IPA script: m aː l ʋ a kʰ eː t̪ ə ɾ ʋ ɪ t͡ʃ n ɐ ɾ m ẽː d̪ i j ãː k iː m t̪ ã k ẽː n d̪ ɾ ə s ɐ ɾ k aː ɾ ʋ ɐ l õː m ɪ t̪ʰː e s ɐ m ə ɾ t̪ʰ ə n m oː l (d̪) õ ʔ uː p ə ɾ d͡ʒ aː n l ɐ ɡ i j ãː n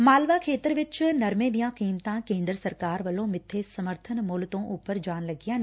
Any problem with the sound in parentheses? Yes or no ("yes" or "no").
yes